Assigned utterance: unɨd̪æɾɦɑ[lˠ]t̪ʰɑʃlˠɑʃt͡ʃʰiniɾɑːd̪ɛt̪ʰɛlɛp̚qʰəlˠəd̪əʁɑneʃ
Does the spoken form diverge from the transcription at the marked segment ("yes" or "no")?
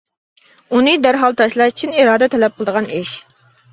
no